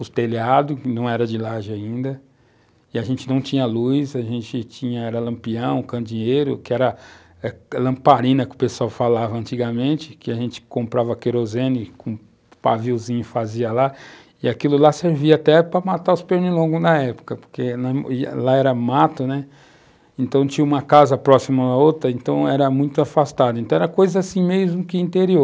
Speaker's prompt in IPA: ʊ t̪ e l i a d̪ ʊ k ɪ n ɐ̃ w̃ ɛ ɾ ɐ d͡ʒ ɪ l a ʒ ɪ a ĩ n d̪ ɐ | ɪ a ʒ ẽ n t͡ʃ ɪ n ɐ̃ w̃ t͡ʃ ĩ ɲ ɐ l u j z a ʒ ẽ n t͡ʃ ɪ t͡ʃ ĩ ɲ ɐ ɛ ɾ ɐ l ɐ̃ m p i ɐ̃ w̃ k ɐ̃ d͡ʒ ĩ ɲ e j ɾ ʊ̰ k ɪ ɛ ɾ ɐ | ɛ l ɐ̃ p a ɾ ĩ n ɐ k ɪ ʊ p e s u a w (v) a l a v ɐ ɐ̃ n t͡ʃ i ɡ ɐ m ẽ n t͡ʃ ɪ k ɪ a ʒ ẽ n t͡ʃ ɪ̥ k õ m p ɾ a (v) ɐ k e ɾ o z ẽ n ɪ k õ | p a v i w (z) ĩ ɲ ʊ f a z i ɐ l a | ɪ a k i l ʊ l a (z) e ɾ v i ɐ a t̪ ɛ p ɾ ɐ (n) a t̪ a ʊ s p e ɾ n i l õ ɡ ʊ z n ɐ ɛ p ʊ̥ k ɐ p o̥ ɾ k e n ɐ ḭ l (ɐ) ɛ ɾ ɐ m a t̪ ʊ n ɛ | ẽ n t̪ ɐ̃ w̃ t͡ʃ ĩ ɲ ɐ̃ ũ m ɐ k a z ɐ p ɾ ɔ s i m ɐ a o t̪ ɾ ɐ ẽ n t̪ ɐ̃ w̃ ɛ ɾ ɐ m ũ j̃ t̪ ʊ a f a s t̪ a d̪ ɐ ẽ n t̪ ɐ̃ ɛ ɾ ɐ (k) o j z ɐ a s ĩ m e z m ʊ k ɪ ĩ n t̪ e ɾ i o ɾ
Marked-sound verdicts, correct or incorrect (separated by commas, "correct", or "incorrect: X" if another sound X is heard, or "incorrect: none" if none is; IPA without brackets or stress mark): incorrect: f, correct, correct, incorrect: s, incorrect: m, incorrect: a, correct